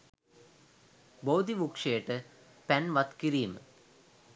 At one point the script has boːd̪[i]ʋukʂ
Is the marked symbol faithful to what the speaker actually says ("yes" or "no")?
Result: yes